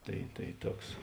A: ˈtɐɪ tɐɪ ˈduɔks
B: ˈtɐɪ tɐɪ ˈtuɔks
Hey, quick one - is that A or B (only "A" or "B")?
B